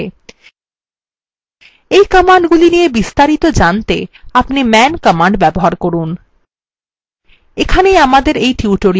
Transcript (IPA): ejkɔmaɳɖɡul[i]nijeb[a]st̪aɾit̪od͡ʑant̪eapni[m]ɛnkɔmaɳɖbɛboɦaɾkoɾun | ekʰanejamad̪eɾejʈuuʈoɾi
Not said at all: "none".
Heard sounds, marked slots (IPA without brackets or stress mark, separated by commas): i, i, m